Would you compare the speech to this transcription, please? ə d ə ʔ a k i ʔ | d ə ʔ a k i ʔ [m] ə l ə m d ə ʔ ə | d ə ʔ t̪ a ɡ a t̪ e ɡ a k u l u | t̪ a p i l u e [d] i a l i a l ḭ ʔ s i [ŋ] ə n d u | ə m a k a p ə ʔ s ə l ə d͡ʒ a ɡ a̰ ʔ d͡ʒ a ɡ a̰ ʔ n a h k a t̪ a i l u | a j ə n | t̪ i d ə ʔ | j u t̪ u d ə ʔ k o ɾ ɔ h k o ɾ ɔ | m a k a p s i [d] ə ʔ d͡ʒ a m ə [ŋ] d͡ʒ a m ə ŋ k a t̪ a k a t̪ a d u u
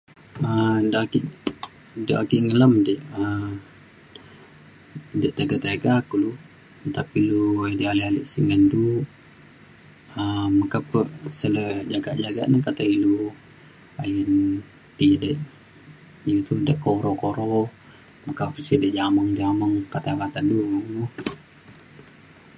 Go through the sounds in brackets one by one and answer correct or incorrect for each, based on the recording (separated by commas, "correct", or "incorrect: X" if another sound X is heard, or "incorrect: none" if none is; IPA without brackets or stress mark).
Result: incorrect: ŋ, correct, correct, correct, correct